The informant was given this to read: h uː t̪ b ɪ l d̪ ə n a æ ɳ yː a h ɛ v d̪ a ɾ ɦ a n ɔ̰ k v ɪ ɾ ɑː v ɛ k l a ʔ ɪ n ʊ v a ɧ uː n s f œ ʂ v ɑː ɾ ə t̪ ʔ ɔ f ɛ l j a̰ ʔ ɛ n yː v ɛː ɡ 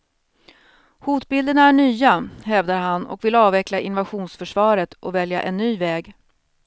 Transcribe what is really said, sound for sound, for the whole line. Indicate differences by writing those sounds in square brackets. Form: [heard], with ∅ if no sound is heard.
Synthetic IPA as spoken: h uː t̪ b ɪ l d̪ ə n a æ ɳ yː a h ɛ v d̪ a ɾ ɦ a n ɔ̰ k v ɪ [l] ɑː v ɛ k l a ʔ ɪ n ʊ v a ɧ uː n s f œ ʂ v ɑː ɾ ə t̪ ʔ ɔ [v] ɛ l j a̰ ʔ ɛ [nː] yː v ɛː ɡ

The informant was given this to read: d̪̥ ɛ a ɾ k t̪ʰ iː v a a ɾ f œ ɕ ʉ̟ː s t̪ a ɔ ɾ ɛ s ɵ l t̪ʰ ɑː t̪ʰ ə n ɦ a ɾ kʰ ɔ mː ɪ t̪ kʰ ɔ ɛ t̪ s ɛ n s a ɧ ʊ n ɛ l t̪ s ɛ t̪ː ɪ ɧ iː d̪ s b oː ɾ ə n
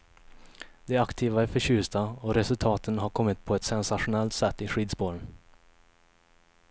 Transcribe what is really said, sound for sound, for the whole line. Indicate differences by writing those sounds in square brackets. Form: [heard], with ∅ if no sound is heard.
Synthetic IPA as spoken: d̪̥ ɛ a [∅] k t̪ʰ iː v a [æ] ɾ f œ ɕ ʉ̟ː s t̪ a ɔ ɾ ɛ s ɵ l t̪ʰ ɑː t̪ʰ ə n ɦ a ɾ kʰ ɔ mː ɪ t̪ [pʰ] ɔ ɛ t̪ s ɛ n s a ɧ ʊ n ɛ l t̪ s ɛ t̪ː ɪ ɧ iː d̪ s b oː ɾ ə n

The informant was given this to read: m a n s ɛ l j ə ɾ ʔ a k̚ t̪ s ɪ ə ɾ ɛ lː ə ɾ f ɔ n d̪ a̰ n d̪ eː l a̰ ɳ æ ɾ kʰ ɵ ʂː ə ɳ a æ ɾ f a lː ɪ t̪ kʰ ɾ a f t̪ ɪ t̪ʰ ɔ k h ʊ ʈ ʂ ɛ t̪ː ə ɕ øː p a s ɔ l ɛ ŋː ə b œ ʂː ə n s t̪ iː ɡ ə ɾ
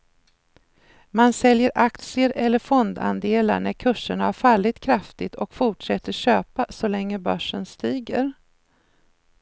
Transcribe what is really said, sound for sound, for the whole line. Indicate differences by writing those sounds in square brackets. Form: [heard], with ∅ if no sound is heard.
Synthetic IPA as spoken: m a n s ɛ l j ə ɾ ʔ a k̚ t̪ s ɪ ə ɾ ɛ lː ə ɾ f ɔ n d̪ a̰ n d̪ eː l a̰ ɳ æ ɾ kʰ ɵ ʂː ə ɳ a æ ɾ f a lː ɪ t̪ kʰ ɾ a f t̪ ɪ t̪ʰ ɔ k [f] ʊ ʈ ʂ ɛ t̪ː ə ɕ øː p a s ɔ l ɛ ŋː ə b œ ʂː ə n s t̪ iː ɡ ə ɾ

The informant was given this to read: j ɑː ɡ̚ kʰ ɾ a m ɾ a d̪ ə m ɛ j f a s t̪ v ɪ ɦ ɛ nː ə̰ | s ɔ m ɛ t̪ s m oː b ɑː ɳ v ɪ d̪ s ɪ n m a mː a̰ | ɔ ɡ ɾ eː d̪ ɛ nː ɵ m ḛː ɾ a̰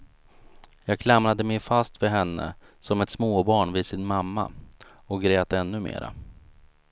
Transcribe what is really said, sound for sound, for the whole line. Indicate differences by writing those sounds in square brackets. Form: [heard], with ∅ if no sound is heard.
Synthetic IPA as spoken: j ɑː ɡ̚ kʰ [l] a m ɾ a d̪ ə m ɛ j f a s t̪ v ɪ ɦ ɛ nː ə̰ | s ɔ m ɛ t̪ s m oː b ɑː ɳ v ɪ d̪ s ɪ n m a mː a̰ | ɔ ɡ ɾ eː [t̪] ɛ nː ɵ m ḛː ɾ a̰

